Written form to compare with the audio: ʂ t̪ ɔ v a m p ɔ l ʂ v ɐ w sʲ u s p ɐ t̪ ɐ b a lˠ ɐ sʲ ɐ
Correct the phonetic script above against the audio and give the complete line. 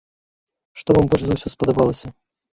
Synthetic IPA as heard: ʂ t̪ ɔ v a m b ɔ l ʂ z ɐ w sʲ ɔ s p ɐ d̪ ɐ b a lˠ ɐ sʲ ɐ